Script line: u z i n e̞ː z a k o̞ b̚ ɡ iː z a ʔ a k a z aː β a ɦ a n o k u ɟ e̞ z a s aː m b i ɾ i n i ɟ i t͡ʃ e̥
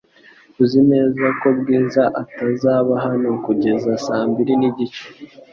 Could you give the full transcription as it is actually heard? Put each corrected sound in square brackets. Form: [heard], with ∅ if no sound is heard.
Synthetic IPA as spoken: u z i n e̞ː z a k o̞ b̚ ɡ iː z a ʔ a [t] a z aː β a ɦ a n o k u ɟ e̞ z a s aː m b i ɾ i n i ɟ i t͡ʃ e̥